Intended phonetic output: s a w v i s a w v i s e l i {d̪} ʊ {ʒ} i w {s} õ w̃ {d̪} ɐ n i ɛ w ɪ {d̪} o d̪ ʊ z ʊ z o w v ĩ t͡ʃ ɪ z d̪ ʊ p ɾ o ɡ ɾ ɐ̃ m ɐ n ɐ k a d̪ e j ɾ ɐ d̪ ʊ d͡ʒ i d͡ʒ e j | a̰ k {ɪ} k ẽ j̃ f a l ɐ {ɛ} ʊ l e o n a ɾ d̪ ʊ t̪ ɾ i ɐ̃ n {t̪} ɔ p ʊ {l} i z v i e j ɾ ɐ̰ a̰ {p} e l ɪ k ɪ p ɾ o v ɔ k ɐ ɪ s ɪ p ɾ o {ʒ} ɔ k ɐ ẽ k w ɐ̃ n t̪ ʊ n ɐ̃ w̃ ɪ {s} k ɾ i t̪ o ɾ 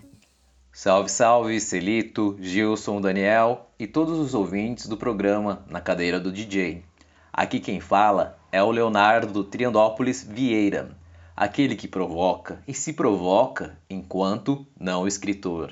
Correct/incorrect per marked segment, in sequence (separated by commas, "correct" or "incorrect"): incorrect, correct, correct, correct, incorrect, incorrect, correct, incorrect, correct, incorrect, incorrect, correct